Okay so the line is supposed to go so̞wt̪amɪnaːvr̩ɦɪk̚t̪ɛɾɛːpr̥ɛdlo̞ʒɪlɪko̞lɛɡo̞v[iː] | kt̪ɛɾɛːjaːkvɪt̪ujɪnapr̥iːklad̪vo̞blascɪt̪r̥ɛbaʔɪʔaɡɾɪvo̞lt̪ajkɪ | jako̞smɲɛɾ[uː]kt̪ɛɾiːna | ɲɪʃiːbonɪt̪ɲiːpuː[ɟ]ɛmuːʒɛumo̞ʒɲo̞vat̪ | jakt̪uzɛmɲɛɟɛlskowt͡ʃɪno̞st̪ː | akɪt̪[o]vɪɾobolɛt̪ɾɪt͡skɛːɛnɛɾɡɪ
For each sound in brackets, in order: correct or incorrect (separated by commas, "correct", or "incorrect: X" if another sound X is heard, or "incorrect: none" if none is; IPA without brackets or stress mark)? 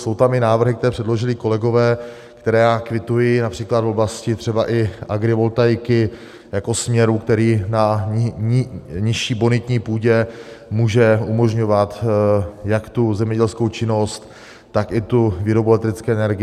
incorrect: ɛː, incorrect: u, correct, incorrect: u